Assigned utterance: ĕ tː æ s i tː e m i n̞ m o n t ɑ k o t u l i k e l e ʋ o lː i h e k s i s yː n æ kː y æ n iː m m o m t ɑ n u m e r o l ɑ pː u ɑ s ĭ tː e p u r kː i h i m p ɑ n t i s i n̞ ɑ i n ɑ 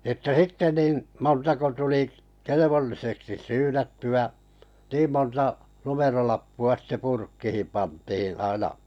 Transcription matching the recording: ĕ tː æ s i tː e n i n̞ m o n t ɑ k o t u l i k e l e ʋ o lː i s e k s i s yː n æ tː y æ n iː m m o n t ɑ n u m e r o l ɑ pː u ɑ s ĭ tː e p u r kː i h i m p ɑ n t i h i n̞ ɑ i n ɑ